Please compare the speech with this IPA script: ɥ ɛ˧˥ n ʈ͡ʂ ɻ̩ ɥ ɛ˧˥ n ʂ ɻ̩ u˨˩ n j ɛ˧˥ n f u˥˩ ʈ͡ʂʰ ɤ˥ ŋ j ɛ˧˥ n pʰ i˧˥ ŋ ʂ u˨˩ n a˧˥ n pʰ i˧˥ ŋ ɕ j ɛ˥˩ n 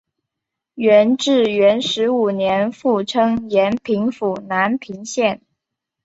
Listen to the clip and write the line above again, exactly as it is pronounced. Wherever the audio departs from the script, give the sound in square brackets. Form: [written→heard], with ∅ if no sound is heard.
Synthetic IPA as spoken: ɥ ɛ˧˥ n ʈ͡ʂ ɻ̩ ɥ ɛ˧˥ n ʂ ɻ̩ u˨˩ n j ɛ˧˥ n f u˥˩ ʈ͡ʂʰ ɤ˥ ŋ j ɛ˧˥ n pʰ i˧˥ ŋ [ʂ→f] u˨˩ n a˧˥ n pʰ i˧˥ ŋ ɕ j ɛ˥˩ n